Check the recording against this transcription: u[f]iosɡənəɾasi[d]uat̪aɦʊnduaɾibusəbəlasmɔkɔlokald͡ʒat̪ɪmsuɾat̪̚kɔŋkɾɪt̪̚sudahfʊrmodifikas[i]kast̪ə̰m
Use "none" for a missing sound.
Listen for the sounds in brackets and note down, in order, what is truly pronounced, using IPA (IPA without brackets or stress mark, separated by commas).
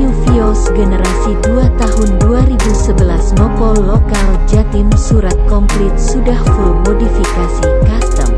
f, d, i